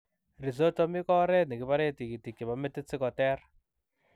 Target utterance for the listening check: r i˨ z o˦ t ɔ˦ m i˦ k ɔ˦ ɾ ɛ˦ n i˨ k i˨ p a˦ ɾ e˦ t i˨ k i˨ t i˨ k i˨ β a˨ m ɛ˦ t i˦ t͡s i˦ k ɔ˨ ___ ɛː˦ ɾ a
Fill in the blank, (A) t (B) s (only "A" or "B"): A